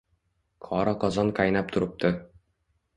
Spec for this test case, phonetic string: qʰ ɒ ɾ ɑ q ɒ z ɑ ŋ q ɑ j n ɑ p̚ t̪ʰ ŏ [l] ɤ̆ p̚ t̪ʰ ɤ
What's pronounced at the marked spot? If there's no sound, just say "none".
ɾ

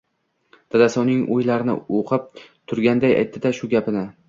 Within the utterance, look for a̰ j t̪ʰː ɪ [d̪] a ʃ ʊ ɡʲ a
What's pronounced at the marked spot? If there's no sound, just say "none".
d̪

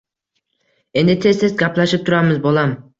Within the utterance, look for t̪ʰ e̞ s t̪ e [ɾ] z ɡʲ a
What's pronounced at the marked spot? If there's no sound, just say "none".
none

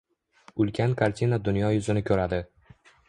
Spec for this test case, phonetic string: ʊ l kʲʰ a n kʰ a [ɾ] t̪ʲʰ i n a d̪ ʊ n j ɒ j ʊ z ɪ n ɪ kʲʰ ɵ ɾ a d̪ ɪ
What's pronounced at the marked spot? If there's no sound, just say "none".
ɾ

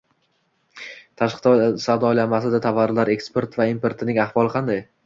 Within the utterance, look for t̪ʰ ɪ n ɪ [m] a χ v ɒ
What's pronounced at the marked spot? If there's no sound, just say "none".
ŋ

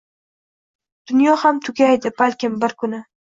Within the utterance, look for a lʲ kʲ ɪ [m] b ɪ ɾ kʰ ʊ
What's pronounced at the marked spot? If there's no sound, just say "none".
m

